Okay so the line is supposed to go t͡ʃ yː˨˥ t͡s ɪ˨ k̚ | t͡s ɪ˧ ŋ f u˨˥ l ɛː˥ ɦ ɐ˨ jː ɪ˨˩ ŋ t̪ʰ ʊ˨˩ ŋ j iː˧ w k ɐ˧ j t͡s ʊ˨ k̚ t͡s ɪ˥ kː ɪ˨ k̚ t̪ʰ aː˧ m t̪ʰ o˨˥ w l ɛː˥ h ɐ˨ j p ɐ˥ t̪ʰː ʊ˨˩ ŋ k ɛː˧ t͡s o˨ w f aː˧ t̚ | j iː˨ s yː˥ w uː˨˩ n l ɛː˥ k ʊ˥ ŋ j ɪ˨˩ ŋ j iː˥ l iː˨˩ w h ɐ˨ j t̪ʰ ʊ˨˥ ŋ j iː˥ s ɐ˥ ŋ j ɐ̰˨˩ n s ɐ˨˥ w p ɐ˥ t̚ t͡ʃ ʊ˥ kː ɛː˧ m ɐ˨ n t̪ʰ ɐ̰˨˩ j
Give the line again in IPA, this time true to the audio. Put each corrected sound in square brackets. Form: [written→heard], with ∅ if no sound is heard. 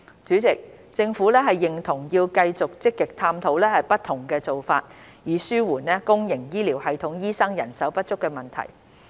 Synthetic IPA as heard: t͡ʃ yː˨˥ t͡s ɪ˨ k̚ | t͡s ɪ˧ ŋ f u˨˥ l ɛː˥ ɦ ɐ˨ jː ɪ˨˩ ŋ t̪ʰ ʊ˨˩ ŋ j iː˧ w k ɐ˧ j t͡s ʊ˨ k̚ t͡s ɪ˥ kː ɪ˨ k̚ t̪ʰ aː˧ m t̪ʰ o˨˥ w l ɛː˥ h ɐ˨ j p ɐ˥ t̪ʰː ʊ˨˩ ŋ k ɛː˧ t͡s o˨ w f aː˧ t̚ | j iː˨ s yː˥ w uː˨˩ n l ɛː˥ k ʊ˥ ŋ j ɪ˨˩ ŋ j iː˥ l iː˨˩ w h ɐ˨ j t̪ʰ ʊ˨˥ ŋ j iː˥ s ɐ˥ ŋ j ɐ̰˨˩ n s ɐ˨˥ w p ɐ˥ t̚ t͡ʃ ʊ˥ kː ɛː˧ m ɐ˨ n t̪ʰ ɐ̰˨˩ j